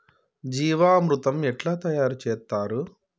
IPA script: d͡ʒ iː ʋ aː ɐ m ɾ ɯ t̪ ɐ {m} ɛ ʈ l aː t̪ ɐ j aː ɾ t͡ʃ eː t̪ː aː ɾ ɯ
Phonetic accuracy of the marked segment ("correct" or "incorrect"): correct